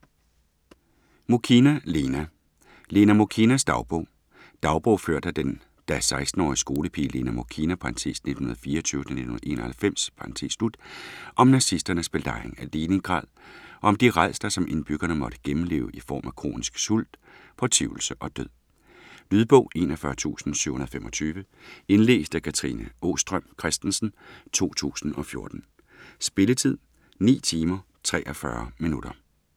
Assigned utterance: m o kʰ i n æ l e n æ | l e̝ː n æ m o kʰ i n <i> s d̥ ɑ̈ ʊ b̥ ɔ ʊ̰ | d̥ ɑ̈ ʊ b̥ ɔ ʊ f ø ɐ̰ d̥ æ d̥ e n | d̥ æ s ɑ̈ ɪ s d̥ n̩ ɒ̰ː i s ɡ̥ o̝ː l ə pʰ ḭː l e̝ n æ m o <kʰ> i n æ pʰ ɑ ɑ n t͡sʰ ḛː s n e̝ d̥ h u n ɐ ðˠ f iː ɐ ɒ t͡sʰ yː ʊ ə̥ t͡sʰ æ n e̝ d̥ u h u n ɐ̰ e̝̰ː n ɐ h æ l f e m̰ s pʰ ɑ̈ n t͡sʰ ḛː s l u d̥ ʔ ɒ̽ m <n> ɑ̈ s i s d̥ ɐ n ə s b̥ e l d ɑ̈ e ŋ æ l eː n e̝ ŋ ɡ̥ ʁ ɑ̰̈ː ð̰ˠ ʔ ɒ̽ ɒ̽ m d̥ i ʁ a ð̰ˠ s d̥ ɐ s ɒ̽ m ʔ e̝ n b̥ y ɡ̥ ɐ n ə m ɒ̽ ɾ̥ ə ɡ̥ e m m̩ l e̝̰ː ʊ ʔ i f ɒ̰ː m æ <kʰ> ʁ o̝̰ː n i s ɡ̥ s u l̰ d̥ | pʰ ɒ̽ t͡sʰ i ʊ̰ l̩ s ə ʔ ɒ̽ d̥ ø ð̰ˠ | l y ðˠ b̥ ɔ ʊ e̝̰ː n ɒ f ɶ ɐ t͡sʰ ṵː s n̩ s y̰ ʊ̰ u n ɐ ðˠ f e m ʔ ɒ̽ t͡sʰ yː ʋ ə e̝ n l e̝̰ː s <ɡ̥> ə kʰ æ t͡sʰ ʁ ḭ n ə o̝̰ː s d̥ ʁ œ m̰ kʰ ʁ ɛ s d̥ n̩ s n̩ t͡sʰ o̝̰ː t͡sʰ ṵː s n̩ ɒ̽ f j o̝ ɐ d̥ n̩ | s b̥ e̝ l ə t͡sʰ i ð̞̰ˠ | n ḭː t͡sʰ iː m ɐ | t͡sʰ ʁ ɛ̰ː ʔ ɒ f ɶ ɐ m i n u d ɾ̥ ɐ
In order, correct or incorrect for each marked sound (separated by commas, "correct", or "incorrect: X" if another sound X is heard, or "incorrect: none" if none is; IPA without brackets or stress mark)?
incorrect: æ, correct, correct, correct, incorrect: d̥